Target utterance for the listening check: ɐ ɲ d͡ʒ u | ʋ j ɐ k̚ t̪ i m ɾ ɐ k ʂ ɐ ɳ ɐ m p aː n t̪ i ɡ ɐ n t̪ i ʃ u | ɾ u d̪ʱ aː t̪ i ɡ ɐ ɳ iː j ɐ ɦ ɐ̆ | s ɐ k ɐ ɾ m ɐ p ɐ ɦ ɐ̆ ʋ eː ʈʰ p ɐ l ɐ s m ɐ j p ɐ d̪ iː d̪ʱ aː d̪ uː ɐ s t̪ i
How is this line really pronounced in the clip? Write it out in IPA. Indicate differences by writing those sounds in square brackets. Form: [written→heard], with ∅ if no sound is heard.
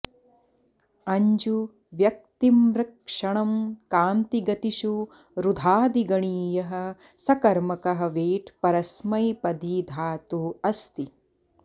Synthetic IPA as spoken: ɐ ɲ d͡ʒ u | ʋ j ɐ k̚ t̪ i m ɾ ɐ k ʂ ɐ ɳ ɐ m [p→k] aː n t̪ i ɡ ɐ [n→∅] t̪ i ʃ u | ɾ u d̪ʱ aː [t̪→d̪] i ɡ ɐ ɳ iː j ɐ ɦ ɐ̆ | s ɐ k ɐ ɾ m ɐ [p→k] ɐ ɦ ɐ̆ ʋ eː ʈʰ p ɐ [l→ɾ] ɐ s m ɐ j p ɐ d̪ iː d̪ʱ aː [d̪→t̪] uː ɐ s t̪ i